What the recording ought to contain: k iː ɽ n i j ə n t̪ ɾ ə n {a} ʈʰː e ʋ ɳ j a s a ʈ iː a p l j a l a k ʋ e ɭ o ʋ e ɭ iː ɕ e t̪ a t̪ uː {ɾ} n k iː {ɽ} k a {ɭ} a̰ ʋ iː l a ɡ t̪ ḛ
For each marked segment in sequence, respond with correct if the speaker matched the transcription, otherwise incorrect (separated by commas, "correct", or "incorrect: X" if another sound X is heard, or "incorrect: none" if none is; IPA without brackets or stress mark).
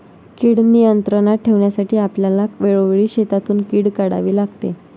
correct, incorrect: none, correct, incorrect: ɽ